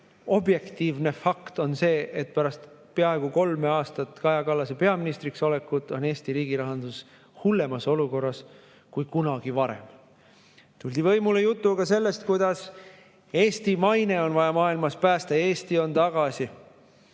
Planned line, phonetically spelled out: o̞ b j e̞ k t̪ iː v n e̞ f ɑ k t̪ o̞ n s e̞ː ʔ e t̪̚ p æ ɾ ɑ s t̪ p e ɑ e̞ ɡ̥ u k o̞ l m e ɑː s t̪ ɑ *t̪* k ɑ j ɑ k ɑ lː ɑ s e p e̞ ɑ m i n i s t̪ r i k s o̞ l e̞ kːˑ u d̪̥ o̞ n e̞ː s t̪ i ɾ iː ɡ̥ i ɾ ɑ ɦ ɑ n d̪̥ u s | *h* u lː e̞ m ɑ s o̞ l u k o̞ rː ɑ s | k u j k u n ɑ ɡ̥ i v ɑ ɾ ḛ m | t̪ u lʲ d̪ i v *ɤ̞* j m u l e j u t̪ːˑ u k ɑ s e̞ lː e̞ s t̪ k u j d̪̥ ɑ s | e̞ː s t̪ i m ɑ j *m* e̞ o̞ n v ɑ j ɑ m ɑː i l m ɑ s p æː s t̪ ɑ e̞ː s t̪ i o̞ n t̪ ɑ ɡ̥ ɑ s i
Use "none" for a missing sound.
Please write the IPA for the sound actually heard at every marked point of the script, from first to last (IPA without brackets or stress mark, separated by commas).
t̪, h, ɤ̞, n